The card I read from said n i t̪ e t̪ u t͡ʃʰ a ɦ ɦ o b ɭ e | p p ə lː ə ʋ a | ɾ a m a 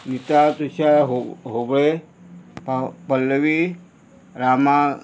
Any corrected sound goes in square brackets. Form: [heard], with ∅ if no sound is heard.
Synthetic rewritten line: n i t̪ [a] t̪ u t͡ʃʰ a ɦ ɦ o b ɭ e | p p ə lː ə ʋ [i] | ɾ a m a

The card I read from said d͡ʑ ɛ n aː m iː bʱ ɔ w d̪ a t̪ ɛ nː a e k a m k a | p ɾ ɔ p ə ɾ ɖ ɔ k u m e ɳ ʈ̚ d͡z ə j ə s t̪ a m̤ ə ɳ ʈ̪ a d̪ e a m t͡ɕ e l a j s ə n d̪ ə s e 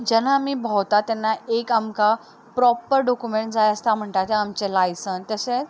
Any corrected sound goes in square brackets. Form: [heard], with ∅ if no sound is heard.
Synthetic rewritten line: d͡ʑ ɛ n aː m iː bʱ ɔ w [t̪] a t̪ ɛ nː a e k a m k a | p ɾ ɔ p ə ɾ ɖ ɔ k u m e ɳ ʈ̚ d͡z [a] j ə s t̪ a m̤ ə ɳ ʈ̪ a [t̪] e a m t͡ɕ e l a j s ə n [t̪] ə s e

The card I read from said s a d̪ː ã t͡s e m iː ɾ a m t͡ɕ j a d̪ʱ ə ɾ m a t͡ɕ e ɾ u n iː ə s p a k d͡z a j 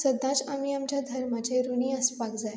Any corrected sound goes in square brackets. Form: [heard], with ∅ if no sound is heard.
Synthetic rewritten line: s [ə] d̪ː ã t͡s [a] m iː [∅] a m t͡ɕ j a d̪ʱ ə ɾ m a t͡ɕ e ɾ u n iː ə s p a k d͡z a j

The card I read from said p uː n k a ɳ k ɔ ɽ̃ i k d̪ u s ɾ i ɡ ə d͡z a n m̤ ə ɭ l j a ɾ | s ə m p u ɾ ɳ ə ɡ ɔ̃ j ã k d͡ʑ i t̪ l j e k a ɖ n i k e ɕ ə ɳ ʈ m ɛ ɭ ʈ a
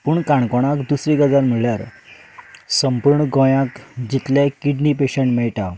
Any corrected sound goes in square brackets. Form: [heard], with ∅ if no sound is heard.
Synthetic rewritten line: p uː [ɳ] k a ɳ k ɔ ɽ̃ [a] k d̪ u s ɾ i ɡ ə d͡z a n m̤ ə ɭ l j a ɾ | s ə m p u ɾ ɳ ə ɡ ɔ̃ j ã k d͡ʑ i t̪ l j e k [i] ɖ n i [p] e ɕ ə ɳ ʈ m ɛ ɭ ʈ a

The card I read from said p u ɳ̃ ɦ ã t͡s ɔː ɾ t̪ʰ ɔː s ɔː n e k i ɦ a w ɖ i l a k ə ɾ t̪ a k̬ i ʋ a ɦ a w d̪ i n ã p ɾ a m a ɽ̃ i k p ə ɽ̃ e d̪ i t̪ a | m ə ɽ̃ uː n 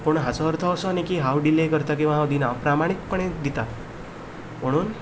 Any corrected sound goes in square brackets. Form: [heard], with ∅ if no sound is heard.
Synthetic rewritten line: p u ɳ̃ ɦ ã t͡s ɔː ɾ t̪ʰ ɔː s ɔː n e k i ɦ a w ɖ i l [e] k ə ɾ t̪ a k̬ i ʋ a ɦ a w d̪ i n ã p ɾ a m a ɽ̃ i k p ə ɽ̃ e d̪ i t̪ a | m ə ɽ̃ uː n

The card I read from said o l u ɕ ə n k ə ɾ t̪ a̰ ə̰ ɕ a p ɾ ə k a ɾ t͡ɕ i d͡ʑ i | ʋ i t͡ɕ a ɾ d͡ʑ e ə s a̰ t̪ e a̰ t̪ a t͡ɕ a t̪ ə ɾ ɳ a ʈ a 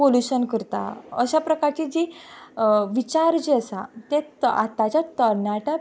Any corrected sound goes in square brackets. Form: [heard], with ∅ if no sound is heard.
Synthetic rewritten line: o l u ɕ ə n k ə ɾ t̪ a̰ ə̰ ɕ a p ɾ ə k a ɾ t͡ɕ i d͡ʑ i | ʋ i t͡ɕ a ɾ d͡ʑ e ə s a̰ t̪ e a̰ t̪ a t͡ɕ a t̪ ə ɾ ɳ a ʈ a

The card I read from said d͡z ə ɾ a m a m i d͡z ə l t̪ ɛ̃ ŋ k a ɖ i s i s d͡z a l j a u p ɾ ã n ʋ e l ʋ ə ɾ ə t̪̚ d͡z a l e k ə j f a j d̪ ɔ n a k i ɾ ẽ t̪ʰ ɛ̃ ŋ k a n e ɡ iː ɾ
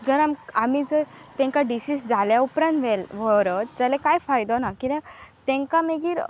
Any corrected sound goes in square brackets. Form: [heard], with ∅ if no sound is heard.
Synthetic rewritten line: d͡z ə ɾ a m a m i d͡z ə [ɾ] t̪ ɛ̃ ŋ k a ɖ i s i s d͡z a l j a u p ɾ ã n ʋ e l ʋ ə ɾ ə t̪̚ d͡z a l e k [a] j f a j d̪ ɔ n a k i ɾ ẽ [t̪] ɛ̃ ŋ k a [m] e ɡ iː ɾ

